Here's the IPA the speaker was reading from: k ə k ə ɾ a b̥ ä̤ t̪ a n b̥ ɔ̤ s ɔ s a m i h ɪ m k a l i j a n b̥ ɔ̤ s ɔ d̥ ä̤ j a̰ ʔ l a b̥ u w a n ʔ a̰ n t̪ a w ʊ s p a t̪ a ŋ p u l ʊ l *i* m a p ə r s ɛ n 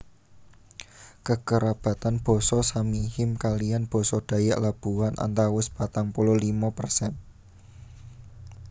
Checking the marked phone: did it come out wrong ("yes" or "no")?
no